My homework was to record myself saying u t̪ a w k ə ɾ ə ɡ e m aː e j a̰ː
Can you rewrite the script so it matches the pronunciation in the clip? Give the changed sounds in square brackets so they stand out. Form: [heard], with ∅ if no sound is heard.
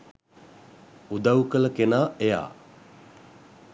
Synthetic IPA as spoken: u [d̪] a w k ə [l] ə [k] e [n] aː e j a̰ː